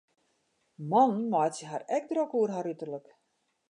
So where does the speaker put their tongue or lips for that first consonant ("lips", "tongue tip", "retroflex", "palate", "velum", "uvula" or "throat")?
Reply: lips